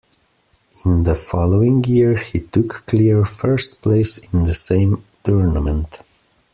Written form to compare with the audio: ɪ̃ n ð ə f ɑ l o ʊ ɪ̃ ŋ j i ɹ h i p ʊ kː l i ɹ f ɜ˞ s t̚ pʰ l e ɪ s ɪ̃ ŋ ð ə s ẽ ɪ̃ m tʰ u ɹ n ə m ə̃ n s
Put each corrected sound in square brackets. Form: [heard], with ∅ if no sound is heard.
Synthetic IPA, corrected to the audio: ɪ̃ n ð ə f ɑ l o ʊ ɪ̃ ŋ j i ɹ h i [t] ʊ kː l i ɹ f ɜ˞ s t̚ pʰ l e ɪ s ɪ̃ [n] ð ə s ẽ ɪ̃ m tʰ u ɹ n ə m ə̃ n [t]